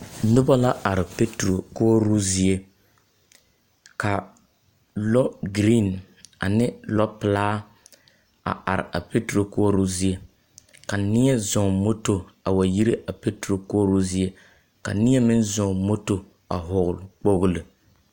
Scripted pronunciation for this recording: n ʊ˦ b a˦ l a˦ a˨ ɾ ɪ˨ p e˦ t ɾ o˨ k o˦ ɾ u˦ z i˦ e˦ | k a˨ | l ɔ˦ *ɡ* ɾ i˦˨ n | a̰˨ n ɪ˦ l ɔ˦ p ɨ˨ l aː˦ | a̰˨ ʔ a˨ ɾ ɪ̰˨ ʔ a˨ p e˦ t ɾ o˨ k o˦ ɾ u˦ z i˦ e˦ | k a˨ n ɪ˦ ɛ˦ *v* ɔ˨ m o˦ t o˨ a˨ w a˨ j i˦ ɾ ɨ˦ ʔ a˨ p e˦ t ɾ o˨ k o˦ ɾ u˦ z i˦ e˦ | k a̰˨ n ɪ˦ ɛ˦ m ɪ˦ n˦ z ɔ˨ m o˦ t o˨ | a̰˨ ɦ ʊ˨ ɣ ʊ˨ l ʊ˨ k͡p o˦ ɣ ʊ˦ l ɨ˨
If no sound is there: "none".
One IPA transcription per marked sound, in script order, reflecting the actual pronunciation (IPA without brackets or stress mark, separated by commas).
ɡ, z